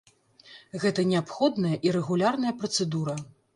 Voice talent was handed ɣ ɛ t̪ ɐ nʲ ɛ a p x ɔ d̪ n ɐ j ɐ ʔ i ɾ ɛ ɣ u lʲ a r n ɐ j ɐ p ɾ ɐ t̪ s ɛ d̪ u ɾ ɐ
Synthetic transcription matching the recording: ɣ ɛ t̪ ɐ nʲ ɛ a p x ɔ d̪ n ɐ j ɐ ʔ i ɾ ɛ ɣ u lʲ a r n ɐ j ɐ p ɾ ɐ t̪ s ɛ d̪ u ɾ ɐ

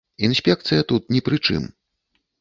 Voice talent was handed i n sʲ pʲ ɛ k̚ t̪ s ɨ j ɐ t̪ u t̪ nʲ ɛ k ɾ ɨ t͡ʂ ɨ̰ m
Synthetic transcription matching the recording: i n sʲ pʲ ɛ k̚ t̪ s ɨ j ɐ t̪ u t̪ nʲ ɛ p ɾ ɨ t͡ʂ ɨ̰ m

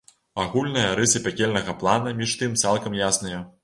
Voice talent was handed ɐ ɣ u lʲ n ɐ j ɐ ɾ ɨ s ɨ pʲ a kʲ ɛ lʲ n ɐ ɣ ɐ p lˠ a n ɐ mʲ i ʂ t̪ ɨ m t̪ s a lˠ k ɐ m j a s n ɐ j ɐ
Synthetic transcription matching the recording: a ɣ u lʲ n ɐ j ɐ ɾ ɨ s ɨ pʲ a kʲ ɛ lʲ n ɐ ɣ ɐ p lˠ a n ɐ mʲ i ʂ t̪ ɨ m t̪ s a lˠ k ɐ m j a s n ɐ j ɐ

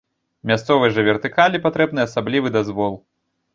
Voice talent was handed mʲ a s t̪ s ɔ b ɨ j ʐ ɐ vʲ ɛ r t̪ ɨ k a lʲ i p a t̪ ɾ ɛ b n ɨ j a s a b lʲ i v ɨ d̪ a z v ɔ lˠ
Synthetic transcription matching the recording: mʲ a s t̪ s ɔ v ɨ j ʐ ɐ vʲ ɛ r t̪ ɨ k a lʲ i p a t̪ ɾ ɛ b n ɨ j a s a b lʲ i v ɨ d̪ a z v ɔ lˠ

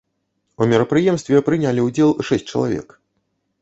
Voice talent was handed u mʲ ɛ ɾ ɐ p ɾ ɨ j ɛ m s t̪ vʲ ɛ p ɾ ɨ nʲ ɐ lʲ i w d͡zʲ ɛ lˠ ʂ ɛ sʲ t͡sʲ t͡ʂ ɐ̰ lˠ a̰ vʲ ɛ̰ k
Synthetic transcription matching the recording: u mʲ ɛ ɾ ɐ p ɾ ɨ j ɛ m s t̪ vʲ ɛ p ɾ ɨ nʲ a lʲ i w d͡zʲ ɛ lˠ ʂ ɛ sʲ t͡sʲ t͡ʂ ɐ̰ lˠ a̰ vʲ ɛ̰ k

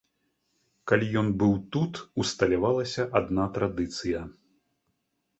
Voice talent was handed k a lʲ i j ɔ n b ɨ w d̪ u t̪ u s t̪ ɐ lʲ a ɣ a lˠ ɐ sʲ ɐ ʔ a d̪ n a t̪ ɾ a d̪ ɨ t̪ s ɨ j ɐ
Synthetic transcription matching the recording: k a lʲ i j ɔ n b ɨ w t̪ u t̪ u s t̪ ɐ lʲ a v a lˠ ɐ sʲ ɐ ʔ a d̪ n a t̪ ɾ a d̪ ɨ t̪ s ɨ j ɐ

